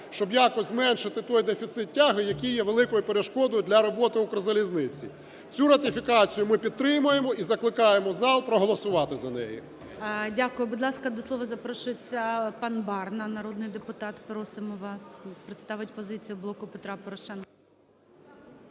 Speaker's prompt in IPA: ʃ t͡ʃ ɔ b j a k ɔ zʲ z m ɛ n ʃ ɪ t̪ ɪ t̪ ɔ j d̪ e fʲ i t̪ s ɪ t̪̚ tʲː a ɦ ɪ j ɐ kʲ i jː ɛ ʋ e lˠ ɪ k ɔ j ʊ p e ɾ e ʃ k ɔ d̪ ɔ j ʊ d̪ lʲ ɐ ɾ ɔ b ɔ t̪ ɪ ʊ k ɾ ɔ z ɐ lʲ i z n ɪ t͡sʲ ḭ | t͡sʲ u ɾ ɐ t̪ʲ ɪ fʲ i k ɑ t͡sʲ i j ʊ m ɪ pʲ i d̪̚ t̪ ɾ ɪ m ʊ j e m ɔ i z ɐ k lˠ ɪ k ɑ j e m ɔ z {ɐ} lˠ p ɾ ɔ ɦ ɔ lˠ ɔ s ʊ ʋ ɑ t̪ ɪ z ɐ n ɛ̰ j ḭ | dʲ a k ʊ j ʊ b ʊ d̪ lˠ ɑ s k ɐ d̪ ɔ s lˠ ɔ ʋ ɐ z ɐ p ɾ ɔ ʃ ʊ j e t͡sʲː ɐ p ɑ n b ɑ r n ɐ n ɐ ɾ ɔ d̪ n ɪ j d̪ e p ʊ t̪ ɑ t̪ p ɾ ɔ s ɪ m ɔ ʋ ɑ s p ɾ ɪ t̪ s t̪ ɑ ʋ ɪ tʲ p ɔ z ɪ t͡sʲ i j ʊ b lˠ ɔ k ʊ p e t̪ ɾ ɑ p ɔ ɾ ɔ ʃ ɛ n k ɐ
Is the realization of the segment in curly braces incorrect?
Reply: yes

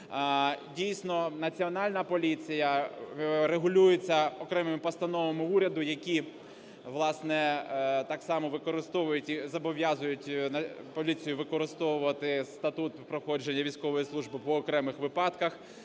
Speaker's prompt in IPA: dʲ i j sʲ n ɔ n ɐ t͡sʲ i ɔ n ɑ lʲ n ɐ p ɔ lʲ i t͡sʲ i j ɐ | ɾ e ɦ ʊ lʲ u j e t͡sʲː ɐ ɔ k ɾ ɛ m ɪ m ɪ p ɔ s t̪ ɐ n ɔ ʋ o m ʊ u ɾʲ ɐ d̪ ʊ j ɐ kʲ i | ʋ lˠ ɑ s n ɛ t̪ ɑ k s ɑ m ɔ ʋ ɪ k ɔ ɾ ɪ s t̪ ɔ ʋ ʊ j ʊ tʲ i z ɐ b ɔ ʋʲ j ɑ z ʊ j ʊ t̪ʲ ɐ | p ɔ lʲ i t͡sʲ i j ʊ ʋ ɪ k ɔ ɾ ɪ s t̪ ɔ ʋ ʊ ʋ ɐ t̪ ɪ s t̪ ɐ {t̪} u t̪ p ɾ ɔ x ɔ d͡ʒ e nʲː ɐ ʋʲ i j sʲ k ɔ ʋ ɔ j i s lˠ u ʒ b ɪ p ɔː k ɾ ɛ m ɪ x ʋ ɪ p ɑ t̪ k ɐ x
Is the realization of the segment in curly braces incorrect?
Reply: no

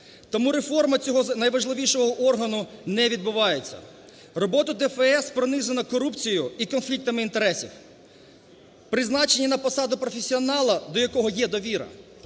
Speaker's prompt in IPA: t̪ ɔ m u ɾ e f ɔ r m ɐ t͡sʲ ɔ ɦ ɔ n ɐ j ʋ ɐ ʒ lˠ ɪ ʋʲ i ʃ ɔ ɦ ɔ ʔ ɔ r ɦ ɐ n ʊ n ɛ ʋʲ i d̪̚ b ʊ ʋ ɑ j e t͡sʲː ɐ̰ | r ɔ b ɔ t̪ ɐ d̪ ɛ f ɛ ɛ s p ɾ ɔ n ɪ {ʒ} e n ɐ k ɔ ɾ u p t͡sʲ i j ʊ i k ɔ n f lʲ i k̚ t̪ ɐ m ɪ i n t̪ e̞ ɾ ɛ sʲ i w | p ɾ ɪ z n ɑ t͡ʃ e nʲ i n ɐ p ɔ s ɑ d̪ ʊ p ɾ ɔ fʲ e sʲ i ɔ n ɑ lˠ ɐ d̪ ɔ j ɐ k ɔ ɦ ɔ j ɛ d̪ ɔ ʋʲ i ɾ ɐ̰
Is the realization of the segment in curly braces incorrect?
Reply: yes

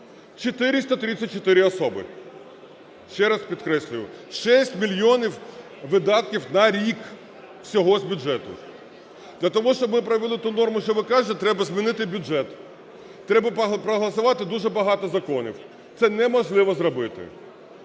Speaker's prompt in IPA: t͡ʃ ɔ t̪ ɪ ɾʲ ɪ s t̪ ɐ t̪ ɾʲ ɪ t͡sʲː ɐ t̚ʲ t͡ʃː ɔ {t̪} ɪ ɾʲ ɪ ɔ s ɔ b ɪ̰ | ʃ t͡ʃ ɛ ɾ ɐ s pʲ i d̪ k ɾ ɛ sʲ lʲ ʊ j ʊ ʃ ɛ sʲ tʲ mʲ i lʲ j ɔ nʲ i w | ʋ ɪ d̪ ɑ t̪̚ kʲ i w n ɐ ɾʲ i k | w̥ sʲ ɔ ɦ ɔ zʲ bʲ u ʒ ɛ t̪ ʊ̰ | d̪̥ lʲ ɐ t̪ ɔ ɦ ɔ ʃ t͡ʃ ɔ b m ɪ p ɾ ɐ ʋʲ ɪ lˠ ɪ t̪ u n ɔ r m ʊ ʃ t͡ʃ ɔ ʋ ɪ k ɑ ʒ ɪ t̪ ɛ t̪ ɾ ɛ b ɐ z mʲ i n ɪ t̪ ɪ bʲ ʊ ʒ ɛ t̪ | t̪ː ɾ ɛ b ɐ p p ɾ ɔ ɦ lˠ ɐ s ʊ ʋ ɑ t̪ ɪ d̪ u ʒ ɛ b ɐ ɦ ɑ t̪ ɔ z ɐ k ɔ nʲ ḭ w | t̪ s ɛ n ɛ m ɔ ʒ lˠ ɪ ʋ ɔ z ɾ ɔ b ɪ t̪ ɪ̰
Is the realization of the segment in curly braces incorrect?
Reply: no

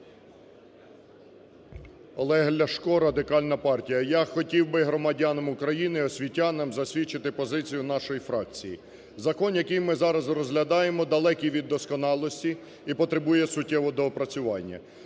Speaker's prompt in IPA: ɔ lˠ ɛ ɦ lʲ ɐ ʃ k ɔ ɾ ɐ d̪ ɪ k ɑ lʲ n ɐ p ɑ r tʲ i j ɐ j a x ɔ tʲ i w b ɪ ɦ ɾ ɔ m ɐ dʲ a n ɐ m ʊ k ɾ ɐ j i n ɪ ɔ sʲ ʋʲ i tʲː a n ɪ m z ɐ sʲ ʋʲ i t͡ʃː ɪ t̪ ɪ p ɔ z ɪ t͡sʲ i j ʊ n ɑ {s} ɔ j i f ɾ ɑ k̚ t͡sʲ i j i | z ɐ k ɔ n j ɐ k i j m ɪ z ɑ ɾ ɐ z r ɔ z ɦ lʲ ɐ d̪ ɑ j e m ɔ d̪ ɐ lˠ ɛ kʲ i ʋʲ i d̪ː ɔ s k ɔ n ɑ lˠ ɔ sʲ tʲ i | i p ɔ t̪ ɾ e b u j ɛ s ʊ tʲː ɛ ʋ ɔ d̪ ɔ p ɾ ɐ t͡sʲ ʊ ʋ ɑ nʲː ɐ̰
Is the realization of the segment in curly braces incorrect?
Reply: yes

